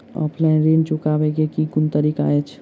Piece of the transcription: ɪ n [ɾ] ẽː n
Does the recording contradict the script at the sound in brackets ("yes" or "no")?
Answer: no